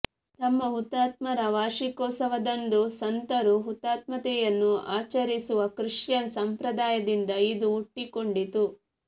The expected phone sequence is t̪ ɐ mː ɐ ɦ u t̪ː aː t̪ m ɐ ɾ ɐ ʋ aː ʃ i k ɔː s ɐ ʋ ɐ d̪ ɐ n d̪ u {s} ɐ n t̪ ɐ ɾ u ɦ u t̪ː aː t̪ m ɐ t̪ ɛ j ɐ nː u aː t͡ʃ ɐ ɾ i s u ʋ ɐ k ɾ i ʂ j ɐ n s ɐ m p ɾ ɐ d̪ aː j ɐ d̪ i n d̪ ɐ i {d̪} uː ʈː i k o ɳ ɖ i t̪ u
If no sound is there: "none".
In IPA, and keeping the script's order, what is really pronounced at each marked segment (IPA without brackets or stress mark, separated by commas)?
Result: s, d̪